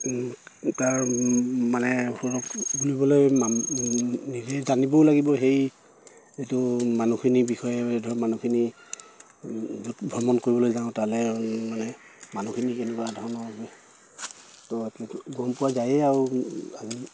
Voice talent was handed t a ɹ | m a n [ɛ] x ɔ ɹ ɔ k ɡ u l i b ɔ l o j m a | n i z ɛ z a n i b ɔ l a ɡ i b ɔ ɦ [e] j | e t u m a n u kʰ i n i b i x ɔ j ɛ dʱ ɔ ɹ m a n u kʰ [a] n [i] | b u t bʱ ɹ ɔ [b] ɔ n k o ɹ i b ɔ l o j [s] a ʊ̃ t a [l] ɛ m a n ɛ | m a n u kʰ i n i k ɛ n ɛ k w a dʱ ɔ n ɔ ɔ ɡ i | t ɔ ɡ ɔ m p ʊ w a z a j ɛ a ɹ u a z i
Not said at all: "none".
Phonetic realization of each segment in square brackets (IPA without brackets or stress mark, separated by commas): ɛ, e, i, i, m, z, l